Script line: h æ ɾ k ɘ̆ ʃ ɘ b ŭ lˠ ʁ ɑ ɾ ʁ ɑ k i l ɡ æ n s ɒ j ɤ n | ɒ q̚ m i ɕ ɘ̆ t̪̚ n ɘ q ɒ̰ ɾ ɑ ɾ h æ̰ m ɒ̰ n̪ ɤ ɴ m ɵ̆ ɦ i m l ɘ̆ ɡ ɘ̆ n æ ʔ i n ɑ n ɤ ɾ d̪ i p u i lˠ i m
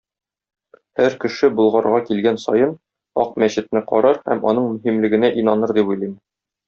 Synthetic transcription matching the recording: h æ ɾ k ɘ̆ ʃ ɘ b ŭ lˠ ʁ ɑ ɾ ʁ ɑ k i l ɡ æ n s ɒ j ɤ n | ɒ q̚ m æ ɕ ɘ̆ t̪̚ n ɘ q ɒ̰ ɾ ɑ ɾ h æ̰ m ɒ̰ n̪ ɤ ɴ m ɵ̆ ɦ i m l ɘ̆ ɡ ɘ̆ n æ ʔ i n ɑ n ɤ ɾ d̪ i p u j lˠ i m

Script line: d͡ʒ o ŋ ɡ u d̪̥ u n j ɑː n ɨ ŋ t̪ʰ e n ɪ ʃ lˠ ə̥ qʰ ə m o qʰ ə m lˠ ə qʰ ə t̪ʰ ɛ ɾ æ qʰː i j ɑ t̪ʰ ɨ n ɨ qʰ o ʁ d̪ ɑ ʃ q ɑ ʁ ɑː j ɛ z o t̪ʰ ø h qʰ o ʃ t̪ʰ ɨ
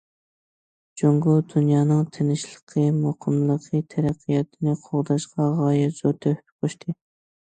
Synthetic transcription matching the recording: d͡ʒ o ŋ ɡ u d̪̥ u n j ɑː n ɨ ŋ t̪ʰ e n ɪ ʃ lˠ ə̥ qʰ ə m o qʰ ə m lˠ ə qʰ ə t̪ʰ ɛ ɾ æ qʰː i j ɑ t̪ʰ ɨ n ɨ qʰ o ʁ d̪ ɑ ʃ q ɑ ʁ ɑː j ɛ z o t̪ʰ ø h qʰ o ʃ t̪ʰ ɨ

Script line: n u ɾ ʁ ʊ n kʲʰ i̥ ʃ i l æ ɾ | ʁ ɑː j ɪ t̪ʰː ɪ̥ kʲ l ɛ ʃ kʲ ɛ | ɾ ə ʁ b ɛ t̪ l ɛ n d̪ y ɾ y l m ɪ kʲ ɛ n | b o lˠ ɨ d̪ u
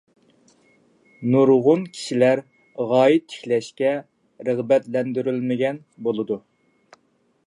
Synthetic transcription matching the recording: n u ɾ ʁ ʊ n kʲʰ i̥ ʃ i l æ ɾ | ʁ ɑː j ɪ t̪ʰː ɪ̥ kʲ l ɛ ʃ kʲ ɛ | ɾ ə ʁ b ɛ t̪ l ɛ n d̪ y ɾ y l m ɪ ɡʲ ɛ n | b o lˠ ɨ d̪ u

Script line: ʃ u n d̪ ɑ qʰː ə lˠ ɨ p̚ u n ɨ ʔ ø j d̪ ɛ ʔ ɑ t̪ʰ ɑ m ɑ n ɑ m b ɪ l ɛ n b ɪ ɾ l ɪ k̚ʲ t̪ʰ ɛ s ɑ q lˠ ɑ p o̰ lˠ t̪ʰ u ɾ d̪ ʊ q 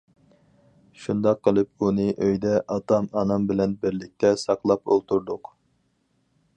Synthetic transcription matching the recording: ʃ u n d̪ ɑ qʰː ə lˠ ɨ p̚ u n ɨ ʔ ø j d̪ ɛ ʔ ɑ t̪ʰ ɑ m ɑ n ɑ m b ɪ l ɛ n b ɪ ɾ l ɪ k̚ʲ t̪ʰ ɛ s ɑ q lˠ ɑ p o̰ lˠ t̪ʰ u ɾ d̪ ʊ q

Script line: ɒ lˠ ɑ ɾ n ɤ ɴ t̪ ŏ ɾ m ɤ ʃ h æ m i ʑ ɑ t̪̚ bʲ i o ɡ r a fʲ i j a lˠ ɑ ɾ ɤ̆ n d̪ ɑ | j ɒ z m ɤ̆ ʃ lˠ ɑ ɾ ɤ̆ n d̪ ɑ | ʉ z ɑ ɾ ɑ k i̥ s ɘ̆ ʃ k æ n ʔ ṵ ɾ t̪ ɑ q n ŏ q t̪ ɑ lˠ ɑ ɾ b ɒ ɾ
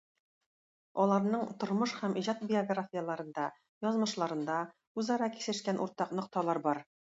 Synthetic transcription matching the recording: ɒ lˠ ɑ ɾ n ɤ ɴ t̪ ŏ ɾ m ɤ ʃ h æ m i ʑ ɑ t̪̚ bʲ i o ɡ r a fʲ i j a lˠ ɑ ɾ ɤ̆ n d̪ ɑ | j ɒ z m ɤ̆ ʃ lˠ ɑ ɾ ɤ̆ n d̪ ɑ | ʉ z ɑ ɾ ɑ k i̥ s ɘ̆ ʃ k æ n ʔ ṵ ɾ t̪ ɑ q n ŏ q t̪ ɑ lˠ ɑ ɾ b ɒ ɾ

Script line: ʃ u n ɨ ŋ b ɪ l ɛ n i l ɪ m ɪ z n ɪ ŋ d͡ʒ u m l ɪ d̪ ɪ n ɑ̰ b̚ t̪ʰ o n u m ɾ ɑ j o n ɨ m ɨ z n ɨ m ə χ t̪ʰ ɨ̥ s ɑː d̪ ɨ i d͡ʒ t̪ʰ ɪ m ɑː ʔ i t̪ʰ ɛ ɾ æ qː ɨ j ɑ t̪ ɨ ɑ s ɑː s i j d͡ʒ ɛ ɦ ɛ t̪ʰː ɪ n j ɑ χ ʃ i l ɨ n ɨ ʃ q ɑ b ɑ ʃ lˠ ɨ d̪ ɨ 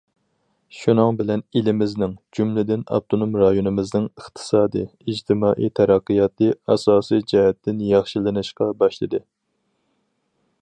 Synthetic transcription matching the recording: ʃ u n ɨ ŋ b ɪ l ɛ n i l ɪ m ɪ z n ɪ ŋ d͡ʒ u m l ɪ d̪ ɪ n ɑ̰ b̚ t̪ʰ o n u m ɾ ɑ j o n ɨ m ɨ z n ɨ ŋ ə χ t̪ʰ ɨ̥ s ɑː d̪ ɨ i d͡ʒ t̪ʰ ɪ m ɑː ʔ i t̪ʰ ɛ ɾ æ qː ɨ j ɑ t̪ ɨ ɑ s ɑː s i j d͡ʒ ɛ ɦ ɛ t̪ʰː ɪ n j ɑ χ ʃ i l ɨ n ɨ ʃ q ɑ b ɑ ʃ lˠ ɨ d̪ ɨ

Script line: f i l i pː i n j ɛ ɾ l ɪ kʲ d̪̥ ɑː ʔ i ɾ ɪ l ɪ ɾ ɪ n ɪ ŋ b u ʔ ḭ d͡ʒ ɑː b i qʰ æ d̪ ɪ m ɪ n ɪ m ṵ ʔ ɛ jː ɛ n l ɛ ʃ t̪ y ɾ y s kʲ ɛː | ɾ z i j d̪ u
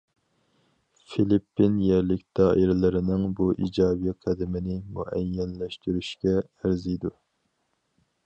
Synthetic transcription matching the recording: f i l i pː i n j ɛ ɾ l ɪ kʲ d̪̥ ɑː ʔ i ɾ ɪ l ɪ ɾ ɪ n ɪ ŋ b u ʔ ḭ d͡ʒ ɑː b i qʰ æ d̪ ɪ m ɪ n ɪ m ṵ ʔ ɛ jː ɛ n l ɛ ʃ t̪ y ɾ y ʃ kʲ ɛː | ɾ z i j d̪ u

